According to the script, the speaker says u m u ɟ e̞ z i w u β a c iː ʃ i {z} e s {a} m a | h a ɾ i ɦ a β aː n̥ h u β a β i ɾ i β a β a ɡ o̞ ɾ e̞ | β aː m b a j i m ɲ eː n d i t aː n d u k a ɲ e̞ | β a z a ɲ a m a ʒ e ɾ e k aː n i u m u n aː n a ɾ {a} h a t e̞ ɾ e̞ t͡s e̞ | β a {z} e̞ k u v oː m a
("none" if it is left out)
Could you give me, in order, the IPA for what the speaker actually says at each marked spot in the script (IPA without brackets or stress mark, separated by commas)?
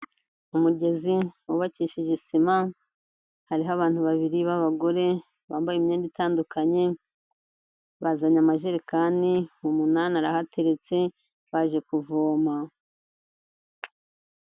ʒ, i, a, ʒ